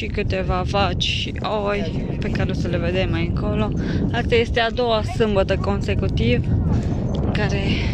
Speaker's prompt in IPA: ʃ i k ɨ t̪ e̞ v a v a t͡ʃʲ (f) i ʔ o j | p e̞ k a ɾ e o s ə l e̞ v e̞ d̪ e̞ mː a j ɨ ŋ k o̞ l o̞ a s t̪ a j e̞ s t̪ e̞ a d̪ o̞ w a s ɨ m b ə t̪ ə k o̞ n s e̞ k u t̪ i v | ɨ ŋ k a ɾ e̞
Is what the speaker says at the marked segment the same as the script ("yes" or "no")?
no